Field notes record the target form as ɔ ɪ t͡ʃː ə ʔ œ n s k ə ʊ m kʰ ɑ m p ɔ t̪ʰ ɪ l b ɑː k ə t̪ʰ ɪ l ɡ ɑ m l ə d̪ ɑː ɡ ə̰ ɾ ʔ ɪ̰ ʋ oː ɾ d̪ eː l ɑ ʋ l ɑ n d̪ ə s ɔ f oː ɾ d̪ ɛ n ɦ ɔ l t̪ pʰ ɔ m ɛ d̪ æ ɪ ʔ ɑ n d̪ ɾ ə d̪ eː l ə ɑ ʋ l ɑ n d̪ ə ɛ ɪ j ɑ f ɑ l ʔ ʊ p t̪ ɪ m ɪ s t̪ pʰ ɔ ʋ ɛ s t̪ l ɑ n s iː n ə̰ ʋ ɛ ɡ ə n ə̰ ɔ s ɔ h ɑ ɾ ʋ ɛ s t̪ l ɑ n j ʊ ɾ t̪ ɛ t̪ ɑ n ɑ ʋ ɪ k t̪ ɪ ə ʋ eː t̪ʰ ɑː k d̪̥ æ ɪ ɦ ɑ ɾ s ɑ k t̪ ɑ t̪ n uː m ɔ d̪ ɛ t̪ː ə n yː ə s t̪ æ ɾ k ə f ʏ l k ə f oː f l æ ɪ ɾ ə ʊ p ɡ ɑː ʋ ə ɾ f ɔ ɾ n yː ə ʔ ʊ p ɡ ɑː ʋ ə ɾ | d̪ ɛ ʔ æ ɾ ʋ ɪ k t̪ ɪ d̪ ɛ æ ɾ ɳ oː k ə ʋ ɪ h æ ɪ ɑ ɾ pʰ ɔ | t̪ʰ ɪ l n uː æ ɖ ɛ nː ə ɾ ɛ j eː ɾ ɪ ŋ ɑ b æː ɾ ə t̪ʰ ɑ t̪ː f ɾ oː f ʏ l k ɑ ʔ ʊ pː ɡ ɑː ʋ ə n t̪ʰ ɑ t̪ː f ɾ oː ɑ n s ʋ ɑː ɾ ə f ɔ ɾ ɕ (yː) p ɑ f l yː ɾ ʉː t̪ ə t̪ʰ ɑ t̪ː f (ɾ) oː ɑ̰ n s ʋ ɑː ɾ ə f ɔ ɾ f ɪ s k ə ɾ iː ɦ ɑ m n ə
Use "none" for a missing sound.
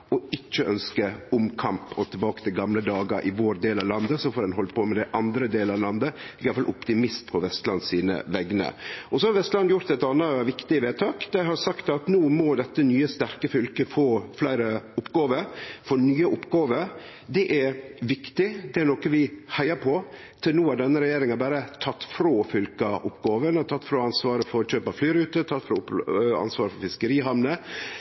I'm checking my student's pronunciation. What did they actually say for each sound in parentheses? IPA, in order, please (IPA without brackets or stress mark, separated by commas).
øː, ɾ